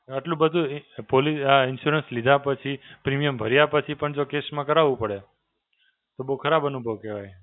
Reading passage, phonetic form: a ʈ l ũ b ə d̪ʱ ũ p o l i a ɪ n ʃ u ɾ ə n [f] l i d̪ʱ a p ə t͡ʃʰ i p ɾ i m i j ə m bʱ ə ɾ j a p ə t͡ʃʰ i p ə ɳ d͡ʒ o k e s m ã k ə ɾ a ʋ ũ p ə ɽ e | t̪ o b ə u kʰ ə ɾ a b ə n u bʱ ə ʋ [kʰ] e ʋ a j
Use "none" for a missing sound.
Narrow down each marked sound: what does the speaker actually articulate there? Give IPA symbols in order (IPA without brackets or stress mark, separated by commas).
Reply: s, k